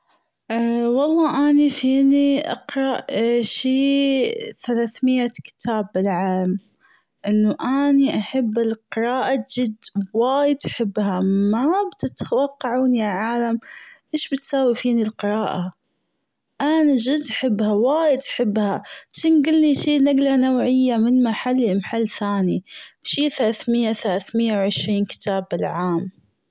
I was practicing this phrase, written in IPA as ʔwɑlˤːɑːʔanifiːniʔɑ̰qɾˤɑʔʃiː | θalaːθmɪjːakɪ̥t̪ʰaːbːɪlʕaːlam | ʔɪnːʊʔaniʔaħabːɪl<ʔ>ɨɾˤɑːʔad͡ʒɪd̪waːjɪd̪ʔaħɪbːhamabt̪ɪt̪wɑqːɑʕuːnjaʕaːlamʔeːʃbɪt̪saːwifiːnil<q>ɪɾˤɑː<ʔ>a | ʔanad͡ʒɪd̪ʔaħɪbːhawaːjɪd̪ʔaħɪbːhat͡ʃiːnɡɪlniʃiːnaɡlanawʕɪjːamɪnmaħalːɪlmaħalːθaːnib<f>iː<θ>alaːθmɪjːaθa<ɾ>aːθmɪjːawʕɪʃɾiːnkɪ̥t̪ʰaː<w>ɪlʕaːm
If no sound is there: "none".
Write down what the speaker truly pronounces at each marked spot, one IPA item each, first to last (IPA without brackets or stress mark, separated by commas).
q, q, ʔ, ʃ, θ, l, b